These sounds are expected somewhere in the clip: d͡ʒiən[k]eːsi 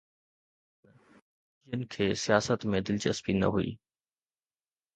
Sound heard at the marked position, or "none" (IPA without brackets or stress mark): kʰ